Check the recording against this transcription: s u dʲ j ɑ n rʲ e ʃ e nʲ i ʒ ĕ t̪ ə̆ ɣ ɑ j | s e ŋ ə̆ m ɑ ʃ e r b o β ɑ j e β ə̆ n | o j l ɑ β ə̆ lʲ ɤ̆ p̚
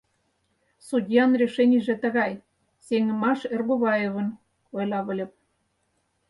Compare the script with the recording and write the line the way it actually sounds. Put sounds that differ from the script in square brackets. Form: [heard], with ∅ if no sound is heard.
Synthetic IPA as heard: s u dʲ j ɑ n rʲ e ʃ e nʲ i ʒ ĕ t̪ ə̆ ɣ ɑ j | s e ŋ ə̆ m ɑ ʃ e r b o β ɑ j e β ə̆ n | o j l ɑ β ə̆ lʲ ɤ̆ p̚